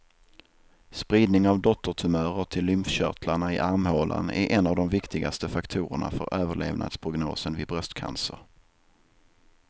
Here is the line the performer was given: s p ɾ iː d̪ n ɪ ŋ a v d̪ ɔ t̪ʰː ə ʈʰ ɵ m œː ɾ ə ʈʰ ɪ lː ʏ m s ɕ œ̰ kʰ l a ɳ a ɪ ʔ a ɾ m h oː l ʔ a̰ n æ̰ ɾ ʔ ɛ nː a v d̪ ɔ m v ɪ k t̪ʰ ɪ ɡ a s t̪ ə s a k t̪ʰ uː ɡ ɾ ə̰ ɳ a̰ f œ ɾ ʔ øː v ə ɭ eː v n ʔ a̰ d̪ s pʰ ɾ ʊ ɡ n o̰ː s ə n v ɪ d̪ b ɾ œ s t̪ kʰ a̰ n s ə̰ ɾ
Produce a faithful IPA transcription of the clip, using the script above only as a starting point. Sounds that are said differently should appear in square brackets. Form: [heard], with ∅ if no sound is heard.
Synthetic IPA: s p ɾ iː d̪ n ɪ ŋ a v d̪ ɔ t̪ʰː ə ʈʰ ɵ m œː ɾ ə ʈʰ ɪ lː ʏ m [f] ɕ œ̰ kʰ l a ɳ a ɪ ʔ a ɾ m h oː l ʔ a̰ n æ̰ ɾ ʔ ɛ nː a v d̪ ɔ m v ɪ k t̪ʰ ɪ ɡ a s t̪ ə [f] a k t̪ʰ uː [∅] ɾ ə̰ ɳ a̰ f œ ɾ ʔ øː v ə ɭ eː v n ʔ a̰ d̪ s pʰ ɾ ʊ ɡ n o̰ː s ə n v ɪ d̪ b ɾ œ s t̪ kʰ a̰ n s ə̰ ɾ